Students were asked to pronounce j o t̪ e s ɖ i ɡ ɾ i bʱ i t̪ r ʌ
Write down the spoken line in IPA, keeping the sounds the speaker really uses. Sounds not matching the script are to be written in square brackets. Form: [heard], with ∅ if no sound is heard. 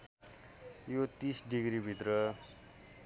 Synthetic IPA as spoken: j o t̪ [i] s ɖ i ɡ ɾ i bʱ i t̪ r ʌ